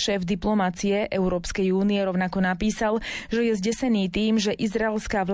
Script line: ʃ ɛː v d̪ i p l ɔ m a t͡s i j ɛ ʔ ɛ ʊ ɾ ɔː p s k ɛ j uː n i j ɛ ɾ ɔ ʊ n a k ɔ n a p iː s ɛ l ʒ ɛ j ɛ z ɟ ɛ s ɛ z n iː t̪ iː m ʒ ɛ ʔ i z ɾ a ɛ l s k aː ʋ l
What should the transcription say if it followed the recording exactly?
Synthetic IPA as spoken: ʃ ɛː v d̪ i p l ɔ m a t͡s i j ɛ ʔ ɛ ʊ ɾ ɔː p s k ɛ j uː n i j ɛ ɾ ɔ ʊ n a k ɔ n a p iː s a l ʒ ɛ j ɛ z ɟ ɛ s ɛ n iː t̪ iː m ʒ ɛ ʔ i z ɾ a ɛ l s k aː ʋ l